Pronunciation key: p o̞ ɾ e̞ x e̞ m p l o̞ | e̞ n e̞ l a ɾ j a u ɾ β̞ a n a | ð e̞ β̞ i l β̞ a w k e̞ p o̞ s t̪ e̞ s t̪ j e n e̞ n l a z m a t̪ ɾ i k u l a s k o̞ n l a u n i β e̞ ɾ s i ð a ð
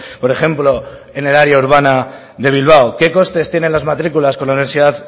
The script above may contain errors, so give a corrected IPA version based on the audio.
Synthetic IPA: p o̞ ɾ e̞ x e̞ m p l o̞ | e̞ n e̞ l a ɾ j a u ɾ β̞ a n a | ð e̞ β̞ i l β̞ a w k e̞ k o̞ s t̪ e̞ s t̪ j e n e̞ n l a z m a t̪ ɾ i k u l a s k o̞ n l a u n i β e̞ ɾ s i ð a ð